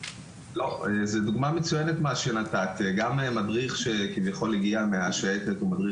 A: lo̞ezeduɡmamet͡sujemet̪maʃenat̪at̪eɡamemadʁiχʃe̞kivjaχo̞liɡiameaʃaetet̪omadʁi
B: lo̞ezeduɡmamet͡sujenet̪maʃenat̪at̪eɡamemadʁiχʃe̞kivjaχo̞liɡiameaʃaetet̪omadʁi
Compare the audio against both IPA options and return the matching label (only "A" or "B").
B